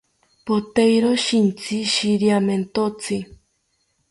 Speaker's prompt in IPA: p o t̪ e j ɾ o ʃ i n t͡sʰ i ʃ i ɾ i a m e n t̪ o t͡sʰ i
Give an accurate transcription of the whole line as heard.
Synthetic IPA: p o t̪ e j ɾ o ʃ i n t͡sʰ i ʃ i ɾ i a m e n t̪ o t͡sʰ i